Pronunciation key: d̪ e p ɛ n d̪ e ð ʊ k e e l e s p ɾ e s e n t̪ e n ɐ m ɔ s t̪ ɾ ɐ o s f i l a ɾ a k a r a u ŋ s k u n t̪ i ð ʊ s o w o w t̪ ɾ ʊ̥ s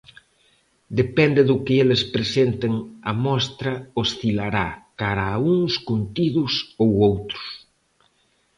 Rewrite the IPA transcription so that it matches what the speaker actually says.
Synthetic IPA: d̪ e p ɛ n d̪ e ð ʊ k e e l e s p ɾ e s e n t̪ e ŋ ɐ m ɔ s t̪ ɾ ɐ o s θ i l a ɾ a k a ɾ a u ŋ s k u n t̪ i ð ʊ s o w o w t̪ ɾ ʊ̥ s

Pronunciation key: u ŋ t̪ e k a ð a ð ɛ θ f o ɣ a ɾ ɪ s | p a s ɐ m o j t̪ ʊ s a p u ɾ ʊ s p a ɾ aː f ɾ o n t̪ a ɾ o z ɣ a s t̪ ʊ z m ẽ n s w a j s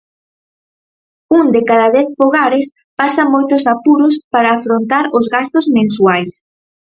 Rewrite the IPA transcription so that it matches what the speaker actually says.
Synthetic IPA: u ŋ d̪ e k a ð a ð ɛ θ f o ɣ a ɾ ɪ s | p a s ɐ m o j t̪ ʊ s a p u ɾ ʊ s p a ɾ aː f ɾ o n t̪ a ɾ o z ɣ a s t̪ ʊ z m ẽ n s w a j s

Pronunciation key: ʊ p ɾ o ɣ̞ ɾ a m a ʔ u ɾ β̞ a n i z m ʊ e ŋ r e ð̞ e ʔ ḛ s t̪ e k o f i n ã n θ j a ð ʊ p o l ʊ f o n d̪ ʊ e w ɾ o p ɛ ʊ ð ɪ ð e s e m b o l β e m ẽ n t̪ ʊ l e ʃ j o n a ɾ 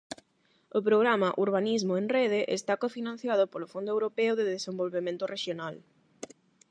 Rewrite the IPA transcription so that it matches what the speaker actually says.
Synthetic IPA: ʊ p ɾ o ɣ̞ ɾ a m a ʔ u ɾ β̞ a n i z m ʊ e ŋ r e ð̞ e ʔ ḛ s t̪ a k o f i n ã n θ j a ð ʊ p o l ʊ f o n d̪ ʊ e w ɾ o p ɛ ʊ ð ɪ ð e s e m b o l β e m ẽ n t̪ ʊ r e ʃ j o n a l

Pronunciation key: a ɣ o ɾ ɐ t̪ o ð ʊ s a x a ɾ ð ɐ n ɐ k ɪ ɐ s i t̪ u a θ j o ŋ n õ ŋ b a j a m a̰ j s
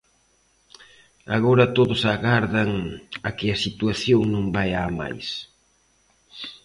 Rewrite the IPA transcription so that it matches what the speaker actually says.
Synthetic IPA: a ɣ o ɾ ɐ t̪ o ð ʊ s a ɣ a ɾ ð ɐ ŋ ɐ k ɪ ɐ s i t̪ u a θ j o ŋ n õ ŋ b a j a m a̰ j s

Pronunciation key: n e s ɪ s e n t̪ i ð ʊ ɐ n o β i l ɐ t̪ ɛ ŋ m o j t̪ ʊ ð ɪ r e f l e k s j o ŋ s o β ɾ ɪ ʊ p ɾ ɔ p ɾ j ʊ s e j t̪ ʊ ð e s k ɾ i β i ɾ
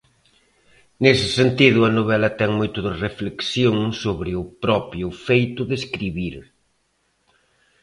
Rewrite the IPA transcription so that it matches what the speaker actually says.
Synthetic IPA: n e s ɪ s e n t̪ i ð ʊ ɐ n o β ɛ l ɐ t̪ ɛ ŋ m o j t̪ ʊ ð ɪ r e f l e k s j o ŋ s o β ɾ ɪ ʊ p ɾ ɔ p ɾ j ʊ f e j t̪ ʊ ð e s k ɾ i β i ɾ

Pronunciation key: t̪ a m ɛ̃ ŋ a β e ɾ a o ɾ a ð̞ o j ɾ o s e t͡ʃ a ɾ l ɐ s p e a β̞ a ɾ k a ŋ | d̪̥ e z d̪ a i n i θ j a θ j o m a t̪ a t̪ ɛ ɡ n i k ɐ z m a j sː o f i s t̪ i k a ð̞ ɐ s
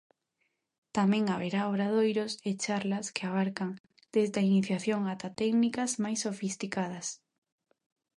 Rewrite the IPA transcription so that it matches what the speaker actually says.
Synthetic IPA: t̪ a m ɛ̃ ŋ a β e ɾ a o ɾ a ð̞ o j ɾ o s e t͡ʃ a ɾ l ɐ s k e a β̞ a ɾ k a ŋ | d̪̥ e z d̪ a i n i θ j a θ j o ŋ a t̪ a t̪ ɛ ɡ n i k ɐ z m a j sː o f i s t̪ i k a ð̞ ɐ s

